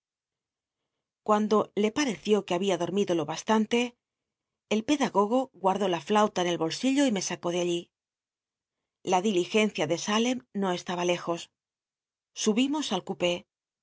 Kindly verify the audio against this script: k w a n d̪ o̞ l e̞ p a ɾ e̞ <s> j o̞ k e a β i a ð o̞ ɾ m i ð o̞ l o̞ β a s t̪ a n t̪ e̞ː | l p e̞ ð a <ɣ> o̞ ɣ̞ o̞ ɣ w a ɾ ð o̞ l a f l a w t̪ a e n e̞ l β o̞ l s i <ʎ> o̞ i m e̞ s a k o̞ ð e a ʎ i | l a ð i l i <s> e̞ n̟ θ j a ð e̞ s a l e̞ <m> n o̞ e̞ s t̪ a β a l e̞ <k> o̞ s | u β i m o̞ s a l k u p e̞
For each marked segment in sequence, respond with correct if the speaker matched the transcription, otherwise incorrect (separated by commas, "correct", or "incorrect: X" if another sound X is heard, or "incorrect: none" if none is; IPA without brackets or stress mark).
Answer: incorrect: θ, correct, correct, incorrect: x, correct, incorrect: x